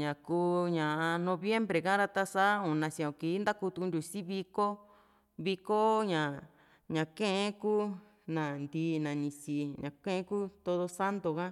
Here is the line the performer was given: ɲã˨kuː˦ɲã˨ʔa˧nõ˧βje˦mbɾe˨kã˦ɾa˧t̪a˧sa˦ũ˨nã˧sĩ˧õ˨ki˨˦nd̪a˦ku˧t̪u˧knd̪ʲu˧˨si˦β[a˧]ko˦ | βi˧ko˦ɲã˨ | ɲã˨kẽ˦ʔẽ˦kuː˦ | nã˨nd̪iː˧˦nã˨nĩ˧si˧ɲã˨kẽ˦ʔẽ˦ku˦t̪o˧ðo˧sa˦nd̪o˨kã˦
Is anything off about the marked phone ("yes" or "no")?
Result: yes